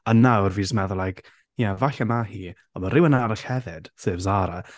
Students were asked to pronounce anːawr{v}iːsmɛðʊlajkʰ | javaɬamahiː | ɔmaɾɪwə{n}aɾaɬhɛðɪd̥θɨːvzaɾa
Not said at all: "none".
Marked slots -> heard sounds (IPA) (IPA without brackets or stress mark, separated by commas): v, n